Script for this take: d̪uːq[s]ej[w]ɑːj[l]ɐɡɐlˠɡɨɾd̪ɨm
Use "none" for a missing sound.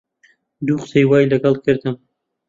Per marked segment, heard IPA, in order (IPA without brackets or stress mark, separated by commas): s, w, l